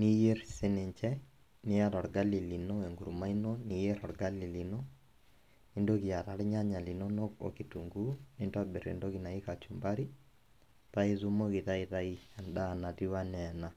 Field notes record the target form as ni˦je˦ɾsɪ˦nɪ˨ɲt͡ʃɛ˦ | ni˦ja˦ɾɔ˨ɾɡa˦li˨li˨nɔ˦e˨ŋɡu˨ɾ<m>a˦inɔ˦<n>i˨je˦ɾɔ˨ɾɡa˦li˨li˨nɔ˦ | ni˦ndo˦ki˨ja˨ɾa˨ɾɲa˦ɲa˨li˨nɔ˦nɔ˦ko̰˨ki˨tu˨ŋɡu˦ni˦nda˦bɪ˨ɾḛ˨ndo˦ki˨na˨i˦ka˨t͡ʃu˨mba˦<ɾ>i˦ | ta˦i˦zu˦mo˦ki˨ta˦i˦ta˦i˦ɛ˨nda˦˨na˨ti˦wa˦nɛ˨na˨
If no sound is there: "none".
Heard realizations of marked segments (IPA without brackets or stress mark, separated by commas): m, n, ɾ